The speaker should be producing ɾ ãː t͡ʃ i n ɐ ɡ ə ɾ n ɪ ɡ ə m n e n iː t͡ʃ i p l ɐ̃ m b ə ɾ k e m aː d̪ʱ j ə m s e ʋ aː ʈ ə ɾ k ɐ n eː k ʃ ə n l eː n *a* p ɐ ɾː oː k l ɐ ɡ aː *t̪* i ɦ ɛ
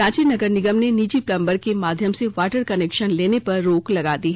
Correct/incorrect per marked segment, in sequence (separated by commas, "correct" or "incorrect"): incorrect, incorrect